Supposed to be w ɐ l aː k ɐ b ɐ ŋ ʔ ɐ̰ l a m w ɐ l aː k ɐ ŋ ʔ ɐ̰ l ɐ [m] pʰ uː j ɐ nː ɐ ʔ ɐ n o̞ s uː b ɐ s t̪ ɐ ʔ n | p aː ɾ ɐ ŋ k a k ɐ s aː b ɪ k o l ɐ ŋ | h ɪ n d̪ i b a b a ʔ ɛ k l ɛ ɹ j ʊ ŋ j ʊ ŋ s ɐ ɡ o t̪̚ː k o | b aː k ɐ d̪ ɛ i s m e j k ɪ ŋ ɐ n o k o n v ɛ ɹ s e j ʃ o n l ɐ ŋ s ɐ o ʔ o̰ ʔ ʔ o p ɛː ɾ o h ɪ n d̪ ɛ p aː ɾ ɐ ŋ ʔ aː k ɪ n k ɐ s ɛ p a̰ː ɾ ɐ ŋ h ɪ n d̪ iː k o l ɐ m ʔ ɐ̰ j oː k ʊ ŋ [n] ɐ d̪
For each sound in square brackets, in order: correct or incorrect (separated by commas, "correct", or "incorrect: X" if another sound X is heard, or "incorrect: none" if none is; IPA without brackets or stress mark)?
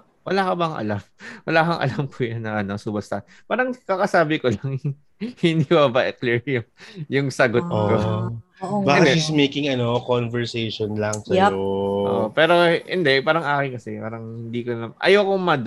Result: correct, incorrect: m